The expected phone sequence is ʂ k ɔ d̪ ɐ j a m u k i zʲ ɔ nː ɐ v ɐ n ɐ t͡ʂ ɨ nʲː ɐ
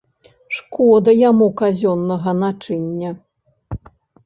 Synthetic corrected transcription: ʂ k ɔ d̪ ɐ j a m u k a zʲ ɔ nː ɐ ɣ ɐ n a t͡ʂ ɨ nʲː ɐ